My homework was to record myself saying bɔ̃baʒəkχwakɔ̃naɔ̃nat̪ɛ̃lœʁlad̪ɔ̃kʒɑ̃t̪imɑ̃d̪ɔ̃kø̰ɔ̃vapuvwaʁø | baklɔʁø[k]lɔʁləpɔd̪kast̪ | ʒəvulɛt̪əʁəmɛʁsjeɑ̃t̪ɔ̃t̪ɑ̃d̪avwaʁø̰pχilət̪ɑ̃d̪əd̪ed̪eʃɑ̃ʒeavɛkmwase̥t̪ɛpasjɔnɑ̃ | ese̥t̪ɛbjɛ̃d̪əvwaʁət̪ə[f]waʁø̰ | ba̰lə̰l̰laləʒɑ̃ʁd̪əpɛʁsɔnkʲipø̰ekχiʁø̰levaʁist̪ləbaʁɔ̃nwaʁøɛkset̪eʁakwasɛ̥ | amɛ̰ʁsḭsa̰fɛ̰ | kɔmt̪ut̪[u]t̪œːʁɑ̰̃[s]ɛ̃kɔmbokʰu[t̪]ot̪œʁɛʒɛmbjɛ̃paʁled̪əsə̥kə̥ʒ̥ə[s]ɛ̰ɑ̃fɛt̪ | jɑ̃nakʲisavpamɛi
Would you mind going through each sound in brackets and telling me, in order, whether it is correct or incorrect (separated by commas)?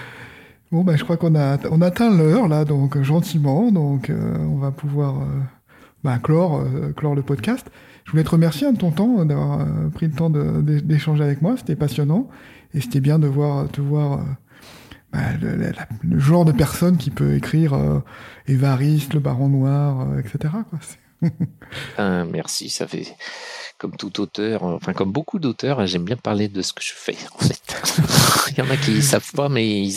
correct, incorrect, incorrect, incorrect, incorrect, incorrect